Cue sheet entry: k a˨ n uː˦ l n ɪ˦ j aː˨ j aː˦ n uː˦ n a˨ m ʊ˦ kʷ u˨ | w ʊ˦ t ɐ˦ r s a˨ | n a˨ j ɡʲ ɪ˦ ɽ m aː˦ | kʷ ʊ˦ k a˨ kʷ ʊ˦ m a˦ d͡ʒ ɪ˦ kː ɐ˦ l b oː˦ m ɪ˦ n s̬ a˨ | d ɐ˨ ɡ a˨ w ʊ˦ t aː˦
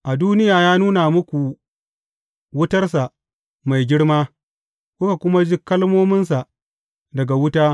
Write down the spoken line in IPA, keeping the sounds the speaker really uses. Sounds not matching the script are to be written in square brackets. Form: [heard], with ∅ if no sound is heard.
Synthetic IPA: [ʔ] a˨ [d] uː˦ [∅] n ɪ˦ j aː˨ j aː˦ n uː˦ n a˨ m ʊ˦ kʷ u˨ | w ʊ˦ t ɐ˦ r s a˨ | [m] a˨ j ɡʲ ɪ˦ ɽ m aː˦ | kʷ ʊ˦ k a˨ kʷ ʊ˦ m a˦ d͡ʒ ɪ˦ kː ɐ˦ l [m] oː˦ m ɪ˦ n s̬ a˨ | d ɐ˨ ɡ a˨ w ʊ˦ t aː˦

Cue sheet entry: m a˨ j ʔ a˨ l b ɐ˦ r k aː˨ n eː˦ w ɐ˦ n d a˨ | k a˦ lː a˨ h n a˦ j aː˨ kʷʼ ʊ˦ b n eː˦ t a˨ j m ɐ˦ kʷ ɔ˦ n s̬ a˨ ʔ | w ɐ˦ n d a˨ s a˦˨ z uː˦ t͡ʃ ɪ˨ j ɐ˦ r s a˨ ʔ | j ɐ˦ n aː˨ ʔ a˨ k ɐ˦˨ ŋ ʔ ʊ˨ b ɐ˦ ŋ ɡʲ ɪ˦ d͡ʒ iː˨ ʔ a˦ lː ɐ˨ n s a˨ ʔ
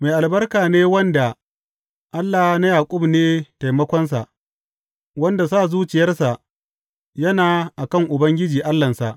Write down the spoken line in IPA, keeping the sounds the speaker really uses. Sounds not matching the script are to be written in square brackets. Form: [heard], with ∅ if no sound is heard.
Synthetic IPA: m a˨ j ʔ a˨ l b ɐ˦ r k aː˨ n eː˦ w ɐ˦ n d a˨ | [ʔ] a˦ lː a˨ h n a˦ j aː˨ kʷʼ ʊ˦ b n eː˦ t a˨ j m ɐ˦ kʷ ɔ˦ n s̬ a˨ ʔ | w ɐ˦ n d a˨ s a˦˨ z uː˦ t͡ʃ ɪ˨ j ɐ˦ r s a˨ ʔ | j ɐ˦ n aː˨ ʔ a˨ k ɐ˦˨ ŋ ʔ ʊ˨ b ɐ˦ ŋ ɡʲ ɪ˦ d͡ʒ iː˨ ʔ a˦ lː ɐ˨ n s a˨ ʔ

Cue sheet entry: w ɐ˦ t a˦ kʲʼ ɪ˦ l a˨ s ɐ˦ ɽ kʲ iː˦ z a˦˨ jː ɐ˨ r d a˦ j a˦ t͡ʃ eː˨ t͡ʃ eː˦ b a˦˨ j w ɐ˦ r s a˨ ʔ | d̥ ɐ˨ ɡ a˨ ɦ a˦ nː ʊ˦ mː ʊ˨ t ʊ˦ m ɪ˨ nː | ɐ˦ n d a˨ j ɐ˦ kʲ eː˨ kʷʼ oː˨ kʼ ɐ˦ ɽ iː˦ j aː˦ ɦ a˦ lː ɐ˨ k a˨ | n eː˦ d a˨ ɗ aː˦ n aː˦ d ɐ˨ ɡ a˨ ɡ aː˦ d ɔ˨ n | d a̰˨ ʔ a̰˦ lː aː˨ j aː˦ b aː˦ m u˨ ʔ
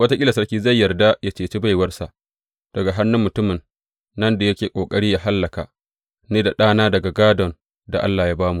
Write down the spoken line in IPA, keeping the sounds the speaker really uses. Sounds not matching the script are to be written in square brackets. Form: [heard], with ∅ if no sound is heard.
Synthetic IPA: w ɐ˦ t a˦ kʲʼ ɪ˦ l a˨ s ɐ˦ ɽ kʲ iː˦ z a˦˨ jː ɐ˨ r d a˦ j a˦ t͡ʃ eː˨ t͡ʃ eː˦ b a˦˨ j w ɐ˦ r s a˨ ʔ | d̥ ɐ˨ ɡ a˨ ɦ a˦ nː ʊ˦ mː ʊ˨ t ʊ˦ m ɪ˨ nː | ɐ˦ n d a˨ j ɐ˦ kʲ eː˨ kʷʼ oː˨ kʼ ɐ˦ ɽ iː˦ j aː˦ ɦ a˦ lː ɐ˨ k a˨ | n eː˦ d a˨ ɗ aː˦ n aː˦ d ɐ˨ ɡ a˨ ɡ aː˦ d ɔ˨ n | d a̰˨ ʔ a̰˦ lː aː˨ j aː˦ b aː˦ m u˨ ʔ

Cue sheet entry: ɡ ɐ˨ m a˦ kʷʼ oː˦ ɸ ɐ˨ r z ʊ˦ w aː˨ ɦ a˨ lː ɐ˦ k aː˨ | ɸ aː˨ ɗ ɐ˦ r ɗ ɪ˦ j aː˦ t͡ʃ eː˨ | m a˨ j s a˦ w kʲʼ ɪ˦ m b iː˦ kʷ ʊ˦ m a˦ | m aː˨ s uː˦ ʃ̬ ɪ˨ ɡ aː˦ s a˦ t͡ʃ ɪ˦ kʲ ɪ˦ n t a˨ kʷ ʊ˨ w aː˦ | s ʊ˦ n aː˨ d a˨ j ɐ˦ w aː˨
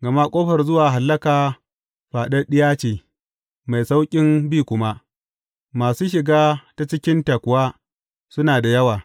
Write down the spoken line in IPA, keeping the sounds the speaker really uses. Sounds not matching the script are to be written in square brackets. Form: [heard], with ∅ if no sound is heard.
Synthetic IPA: ɡ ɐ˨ m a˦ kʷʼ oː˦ ɸ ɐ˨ r z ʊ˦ w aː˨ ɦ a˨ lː ɐ˦ k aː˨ | ɸ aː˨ ɗ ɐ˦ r ɗ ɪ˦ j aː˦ t͡ʃ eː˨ | m a˨ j s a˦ w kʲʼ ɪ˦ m b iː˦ kʷ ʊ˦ m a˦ | m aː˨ s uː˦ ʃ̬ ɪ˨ ɡ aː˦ [t] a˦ t͡ʃ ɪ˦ kʲ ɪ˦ n t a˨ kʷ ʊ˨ w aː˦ | s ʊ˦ n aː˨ d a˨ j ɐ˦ w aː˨

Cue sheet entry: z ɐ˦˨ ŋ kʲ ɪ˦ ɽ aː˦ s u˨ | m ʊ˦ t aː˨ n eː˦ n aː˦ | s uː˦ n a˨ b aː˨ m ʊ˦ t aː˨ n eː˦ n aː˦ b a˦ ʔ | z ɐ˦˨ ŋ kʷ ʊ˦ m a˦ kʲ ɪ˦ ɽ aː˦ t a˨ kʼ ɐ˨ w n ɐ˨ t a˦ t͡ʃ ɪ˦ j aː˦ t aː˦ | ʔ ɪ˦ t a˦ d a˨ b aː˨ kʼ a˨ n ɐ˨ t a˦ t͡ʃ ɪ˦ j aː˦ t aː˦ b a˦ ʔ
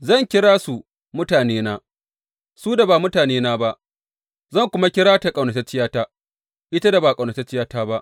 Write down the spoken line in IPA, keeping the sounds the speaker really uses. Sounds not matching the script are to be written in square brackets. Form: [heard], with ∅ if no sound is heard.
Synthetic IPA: z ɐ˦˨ ŋ kʲ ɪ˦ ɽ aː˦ s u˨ | m ʊ˦ t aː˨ n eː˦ n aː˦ | s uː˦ [d] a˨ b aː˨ m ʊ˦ t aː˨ n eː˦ n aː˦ b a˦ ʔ | z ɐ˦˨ ŋ kʷ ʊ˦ m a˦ kʲ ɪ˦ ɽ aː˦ t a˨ kʼ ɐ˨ w n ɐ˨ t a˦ t͡ʃ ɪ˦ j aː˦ t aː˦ | ʔ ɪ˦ t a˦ d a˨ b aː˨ kʼ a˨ n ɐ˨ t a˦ t͡ʃ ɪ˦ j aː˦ t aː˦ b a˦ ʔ

